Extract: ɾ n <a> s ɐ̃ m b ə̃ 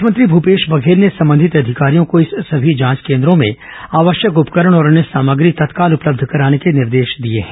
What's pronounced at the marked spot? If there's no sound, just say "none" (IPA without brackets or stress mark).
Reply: e